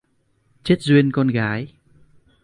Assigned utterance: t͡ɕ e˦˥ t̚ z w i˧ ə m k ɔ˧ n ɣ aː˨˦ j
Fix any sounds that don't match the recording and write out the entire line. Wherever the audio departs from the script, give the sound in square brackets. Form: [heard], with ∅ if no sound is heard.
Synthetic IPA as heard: t͡ɕ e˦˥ t̚ z w i˧ ə [n] k ɔ˧ n ɣ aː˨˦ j